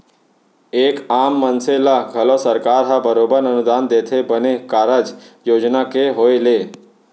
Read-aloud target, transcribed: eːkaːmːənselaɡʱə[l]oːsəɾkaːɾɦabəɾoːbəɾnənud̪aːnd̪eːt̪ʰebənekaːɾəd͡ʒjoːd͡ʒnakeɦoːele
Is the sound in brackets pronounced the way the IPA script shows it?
yes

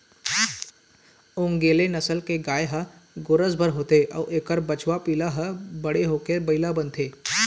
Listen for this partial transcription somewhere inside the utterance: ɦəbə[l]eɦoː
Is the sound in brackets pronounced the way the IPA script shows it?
no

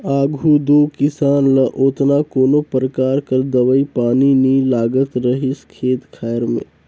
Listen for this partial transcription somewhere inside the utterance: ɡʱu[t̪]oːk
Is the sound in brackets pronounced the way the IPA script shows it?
no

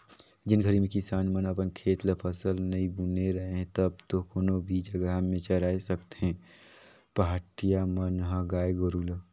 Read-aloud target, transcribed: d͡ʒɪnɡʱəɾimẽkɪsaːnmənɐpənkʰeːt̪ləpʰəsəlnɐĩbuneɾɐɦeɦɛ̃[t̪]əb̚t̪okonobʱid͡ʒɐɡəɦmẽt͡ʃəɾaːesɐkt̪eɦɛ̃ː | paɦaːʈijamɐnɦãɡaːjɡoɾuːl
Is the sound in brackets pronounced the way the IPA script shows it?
yes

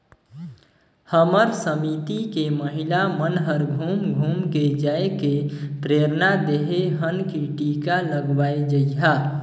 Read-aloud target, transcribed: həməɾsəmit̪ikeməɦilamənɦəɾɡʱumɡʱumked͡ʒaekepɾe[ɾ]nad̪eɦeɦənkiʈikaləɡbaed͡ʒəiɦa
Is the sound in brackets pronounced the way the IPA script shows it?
yes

